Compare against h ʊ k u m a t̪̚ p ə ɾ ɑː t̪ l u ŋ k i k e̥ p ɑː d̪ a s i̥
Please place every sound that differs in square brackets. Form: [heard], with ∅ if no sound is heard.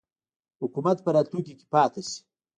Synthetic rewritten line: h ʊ k u m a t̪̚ p ə ɾ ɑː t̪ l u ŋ k i k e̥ p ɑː [t̪] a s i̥